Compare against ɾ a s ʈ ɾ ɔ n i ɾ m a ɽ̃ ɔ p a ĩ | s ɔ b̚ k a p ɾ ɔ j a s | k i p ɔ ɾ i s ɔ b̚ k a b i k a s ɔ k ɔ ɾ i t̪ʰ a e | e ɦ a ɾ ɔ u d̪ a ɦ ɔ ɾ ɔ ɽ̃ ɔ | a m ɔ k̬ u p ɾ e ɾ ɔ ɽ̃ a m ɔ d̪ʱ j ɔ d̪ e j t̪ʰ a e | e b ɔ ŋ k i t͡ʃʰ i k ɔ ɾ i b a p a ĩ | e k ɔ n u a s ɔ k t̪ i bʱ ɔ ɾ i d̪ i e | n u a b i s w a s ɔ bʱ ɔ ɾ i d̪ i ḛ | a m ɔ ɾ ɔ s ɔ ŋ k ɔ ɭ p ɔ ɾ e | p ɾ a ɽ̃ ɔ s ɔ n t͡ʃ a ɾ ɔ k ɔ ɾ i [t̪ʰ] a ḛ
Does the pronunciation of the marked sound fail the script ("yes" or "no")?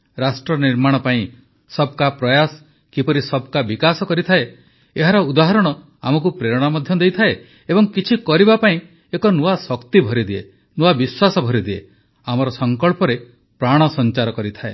no